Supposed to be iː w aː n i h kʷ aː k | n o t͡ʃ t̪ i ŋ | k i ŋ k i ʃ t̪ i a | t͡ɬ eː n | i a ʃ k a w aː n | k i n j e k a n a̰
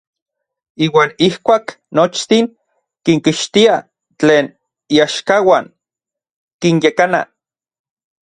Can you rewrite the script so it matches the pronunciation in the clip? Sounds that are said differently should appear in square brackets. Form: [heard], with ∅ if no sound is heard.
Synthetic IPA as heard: iː w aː n i h kʷ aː k | n o t͡ʃ t̪ i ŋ | k i ŋ k i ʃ t̪ i a | t͡ɬ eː n | i a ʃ k a w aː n | k i n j e k a n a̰